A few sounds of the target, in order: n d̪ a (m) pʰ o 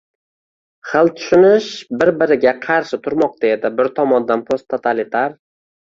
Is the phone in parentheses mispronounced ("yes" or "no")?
yes